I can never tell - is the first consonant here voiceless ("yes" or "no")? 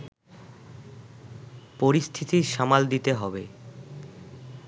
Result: yes